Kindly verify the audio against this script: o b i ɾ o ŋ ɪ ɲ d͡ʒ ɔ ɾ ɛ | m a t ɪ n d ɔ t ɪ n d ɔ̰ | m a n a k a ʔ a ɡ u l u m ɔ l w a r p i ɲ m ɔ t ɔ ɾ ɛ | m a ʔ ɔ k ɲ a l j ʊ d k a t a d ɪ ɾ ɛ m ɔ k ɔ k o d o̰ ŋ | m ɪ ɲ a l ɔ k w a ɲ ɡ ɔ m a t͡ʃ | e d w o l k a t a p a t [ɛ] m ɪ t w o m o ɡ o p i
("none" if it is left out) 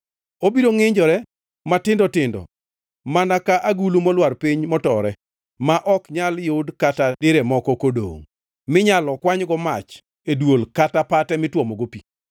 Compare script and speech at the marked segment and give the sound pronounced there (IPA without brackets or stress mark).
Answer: ɛ